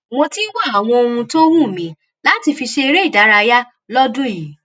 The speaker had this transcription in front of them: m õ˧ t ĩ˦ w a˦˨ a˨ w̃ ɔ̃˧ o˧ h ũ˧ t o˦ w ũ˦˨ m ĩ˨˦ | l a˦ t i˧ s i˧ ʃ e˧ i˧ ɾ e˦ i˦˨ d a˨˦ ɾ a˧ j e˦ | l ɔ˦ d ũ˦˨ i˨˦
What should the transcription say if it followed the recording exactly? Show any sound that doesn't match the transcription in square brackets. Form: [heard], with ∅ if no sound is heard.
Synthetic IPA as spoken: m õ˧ t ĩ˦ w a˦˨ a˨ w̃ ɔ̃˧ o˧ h ũ˧ t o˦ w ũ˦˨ m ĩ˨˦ | l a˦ t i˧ [f] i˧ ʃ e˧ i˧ ɾ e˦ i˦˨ d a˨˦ ɾ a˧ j [a˦] | l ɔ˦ d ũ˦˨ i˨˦

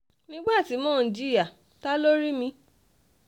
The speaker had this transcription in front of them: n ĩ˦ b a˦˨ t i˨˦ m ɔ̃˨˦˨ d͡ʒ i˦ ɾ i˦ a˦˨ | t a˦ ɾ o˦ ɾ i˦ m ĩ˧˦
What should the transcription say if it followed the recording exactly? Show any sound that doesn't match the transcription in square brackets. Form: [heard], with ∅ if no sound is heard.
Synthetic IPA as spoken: n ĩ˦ [ɡ͡b] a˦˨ t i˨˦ m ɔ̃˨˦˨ d͡ʒ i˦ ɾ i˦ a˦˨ | t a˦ [l] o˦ ɾ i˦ m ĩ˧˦

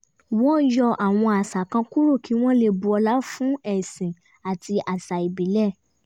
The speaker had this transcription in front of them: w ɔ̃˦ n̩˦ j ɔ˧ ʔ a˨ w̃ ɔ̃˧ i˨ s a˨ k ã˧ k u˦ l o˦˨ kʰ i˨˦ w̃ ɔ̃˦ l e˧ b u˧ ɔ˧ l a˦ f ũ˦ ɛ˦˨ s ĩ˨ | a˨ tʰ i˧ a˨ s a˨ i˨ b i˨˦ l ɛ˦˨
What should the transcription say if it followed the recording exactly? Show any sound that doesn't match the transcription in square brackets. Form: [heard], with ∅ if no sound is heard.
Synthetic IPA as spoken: w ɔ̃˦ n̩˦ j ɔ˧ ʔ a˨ w̃ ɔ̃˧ [a˨] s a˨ k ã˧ k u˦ [ɾ] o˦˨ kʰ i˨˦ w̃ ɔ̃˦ l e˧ b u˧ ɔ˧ l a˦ f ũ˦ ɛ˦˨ s ĩ˨ | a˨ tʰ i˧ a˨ s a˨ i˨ b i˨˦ l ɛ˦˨

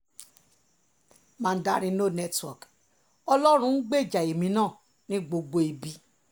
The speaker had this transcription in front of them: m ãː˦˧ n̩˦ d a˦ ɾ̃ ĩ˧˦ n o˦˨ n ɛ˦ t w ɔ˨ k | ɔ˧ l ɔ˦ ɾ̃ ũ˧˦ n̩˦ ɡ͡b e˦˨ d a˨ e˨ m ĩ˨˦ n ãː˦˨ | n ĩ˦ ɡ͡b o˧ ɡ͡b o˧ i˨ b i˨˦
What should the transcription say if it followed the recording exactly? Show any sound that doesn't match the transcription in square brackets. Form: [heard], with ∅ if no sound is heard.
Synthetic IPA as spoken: m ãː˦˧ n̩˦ d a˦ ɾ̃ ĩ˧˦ n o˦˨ n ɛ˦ t w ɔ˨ k | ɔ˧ l ɔ˦ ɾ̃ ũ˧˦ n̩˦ ɡ͡b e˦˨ [d͡ʒ] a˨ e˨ m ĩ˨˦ n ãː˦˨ | n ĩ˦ ɡ͡b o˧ ɡ͡b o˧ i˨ b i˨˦

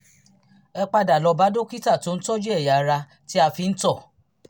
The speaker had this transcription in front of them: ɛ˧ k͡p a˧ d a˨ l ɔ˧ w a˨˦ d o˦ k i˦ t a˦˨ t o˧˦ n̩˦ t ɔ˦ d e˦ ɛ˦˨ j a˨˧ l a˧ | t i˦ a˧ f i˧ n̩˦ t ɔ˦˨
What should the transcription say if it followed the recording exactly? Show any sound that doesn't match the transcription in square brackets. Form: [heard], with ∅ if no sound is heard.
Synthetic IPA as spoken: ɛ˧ k͡p a˧ d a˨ l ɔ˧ [b] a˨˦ d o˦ k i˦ t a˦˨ t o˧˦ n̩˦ t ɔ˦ [d͡ʒ] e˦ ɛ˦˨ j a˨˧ [ɾ] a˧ | t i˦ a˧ f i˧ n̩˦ t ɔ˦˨

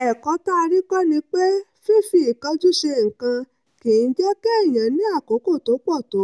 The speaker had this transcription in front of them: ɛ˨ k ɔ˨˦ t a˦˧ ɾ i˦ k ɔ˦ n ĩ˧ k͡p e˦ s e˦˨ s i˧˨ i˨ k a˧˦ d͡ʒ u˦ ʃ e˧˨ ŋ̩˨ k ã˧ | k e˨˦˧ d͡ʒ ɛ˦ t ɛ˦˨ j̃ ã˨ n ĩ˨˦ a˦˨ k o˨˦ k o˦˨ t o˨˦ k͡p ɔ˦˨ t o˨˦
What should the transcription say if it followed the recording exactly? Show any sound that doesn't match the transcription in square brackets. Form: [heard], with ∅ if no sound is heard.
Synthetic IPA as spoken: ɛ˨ k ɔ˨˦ t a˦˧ ɾ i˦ k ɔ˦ n ĩ˧ k͡p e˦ [f] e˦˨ [f] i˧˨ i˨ k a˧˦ d͡ʒ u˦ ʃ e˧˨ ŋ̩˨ k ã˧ | k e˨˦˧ d͡ʒ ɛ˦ [k] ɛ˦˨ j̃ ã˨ n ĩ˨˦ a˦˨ k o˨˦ k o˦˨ t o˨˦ k͡p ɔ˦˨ t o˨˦

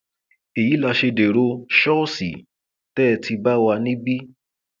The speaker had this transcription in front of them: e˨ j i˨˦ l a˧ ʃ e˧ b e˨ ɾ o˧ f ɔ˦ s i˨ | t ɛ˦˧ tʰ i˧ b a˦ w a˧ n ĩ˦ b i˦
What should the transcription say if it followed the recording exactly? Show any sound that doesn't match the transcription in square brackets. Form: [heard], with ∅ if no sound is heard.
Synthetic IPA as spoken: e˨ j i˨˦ l a˧ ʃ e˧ [d] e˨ ɾ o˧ [ʃ] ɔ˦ s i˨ | t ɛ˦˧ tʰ i˧ b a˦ w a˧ n ĩ˦ b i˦

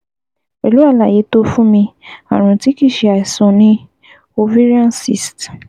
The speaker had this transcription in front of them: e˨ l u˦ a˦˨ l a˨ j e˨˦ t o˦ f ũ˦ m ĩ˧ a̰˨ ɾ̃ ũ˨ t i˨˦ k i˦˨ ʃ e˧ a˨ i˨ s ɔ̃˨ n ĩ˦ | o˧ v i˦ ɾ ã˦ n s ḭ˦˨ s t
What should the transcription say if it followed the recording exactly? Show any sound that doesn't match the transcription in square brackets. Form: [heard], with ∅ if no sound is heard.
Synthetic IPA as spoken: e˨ l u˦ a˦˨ l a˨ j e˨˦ t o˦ f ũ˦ m ĩ˧ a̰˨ ɾ̃ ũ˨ t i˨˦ k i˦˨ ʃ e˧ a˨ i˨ s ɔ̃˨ n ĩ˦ | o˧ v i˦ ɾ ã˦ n s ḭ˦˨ s t

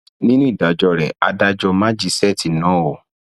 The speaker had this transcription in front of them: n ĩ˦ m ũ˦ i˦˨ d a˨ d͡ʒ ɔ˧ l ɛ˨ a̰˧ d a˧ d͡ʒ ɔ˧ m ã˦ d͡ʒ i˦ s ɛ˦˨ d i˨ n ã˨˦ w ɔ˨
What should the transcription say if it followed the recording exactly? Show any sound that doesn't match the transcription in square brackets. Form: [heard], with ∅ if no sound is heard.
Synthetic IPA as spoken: n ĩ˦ [n] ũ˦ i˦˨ d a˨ d͡ʒ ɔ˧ [ɾ] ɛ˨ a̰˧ d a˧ d͡ʒ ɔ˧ m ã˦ d͡ʒ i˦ s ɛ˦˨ [t] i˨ n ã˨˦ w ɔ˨

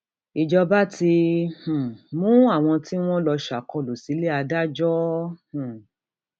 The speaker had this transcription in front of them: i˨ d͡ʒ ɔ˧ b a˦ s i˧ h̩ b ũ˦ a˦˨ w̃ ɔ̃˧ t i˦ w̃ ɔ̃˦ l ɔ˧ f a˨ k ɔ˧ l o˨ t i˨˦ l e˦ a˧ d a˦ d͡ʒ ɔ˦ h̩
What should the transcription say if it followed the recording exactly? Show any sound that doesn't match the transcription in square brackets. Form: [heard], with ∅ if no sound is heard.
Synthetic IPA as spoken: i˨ d͡ʒ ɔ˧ b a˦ [t] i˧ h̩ [m] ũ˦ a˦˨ w̃ ɔ̃˧ t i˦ w̃ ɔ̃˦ l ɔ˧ [ʃ] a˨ k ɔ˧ l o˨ [s] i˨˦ l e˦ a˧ d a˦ d͡ʒ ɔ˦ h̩

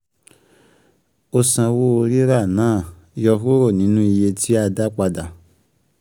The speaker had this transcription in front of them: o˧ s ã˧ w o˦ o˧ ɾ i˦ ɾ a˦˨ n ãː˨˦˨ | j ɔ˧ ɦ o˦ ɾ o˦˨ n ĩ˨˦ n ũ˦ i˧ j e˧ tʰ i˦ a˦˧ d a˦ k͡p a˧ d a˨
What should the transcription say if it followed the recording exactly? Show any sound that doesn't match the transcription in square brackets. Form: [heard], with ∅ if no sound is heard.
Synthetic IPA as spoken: o˧ s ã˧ w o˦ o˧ ɾ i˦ ɾ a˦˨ n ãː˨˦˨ | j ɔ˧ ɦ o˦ ɾ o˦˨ n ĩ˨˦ n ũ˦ i˧ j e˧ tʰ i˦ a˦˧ d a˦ k͡p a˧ d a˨

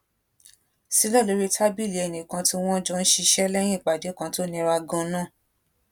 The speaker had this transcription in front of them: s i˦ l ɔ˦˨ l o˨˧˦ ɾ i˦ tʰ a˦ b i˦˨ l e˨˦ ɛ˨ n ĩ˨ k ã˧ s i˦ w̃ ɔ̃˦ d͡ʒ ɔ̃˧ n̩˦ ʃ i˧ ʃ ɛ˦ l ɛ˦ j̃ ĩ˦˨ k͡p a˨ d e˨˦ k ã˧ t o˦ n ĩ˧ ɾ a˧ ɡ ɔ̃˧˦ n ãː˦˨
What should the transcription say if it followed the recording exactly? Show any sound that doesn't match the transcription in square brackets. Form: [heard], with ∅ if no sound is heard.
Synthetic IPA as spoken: s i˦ l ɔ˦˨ l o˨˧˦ ɾ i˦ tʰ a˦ b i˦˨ l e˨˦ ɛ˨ n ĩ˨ k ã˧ [t] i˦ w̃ ɔ̃˦ d͡ʒ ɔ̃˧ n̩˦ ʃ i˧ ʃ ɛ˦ l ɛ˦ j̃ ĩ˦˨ k͡p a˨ d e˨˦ k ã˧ t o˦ n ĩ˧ ɾ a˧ ɡ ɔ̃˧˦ n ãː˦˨

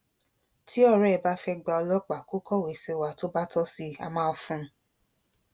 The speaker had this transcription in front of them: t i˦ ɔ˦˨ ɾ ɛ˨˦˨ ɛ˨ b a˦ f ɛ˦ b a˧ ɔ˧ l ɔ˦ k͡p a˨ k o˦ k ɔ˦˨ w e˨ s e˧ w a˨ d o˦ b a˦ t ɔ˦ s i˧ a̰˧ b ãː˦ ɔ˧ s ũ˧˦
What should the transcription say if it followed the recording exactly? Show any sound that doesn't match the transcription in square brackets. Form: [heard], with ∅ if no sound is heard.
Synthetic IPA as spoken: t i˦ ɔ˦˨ ɾ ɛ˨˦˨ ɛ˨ b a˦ f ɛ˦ [ɡ͡b] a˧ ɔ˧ l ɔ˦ k͡p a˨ k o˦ k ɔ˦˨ w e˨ s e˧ w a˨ [t] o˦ b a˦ t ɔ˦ s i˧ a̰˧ [m] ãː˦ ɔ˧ [f] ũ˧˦

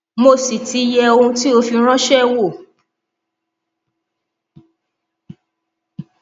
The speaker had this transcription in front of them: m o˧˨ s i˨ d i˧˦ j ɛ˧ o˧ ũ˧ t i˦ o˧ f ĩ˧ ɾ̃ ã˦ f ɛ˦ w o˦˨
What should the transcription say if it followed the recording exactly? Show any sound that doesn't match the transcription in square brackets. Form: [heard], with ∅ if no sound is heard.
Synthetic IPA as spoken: m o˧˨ s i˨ [t] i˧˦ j ɛ˧ o˧ ũ˧ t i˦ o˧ f [i˧] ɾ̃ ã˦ [ʃ] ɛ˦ w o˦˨

